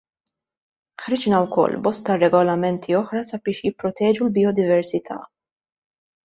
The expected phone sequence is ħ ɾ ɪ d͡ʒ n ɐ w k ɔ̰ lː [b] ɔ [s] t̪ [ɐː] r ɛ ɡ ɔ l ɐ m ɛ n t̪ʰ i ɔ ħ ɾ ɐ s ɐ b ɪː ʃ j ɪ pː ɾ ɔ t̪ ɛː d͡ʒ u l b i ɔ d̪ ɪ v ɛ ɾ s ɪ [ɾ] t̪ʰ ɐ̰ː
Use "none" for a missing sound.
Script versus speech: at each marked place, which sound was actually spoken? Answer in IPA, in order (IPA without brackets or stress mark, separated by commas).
b, s, ɐ, none